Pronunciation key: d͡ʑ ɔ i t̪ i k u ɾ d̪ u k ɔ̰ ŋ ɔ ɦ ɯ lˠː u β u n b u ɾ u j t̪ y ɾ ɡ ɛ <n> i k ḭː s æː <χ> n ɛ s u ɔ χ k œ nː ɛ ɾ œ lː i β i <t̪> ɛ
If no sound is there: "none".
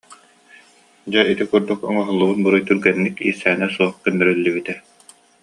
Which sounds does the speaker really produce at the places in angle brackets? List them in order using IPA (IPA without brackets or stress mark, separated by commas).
nː, none, t̪